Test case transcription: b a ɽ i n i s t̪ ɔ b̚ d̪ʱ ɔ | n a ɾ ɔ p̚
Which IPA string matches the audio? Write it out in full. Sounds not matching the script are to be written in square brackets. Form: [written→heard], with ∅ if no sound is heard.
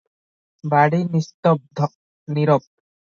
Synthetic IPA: b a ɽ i n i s t̪ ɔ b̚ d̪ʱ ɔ | n [a→i] ɾ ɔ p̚